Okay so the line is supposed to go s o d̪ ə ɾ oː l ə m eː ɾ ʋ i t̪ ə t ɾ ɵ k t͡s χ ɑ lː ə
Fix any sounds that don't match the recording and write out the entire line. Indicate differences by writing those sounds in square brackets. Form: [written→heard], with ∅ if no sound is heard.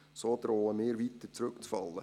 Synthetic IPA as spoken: s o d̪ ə ɾ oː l ə m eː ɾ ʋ i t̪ ə [t→t͡s] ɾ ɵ k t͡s [χ→f] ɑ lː ə